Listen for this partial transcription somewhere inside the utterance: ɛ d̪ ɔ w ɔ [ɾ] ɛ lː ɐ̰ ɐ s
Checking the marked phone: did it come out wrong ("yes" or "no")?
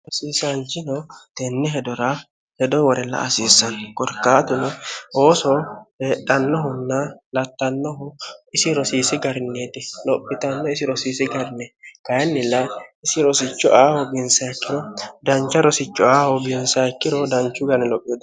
no